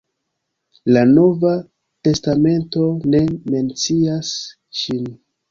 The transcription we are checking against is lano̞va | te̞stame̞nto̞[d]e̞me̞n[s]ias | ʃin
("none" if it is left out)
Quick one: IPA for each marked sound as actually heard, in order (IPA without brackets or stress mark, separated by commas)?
n, t͡s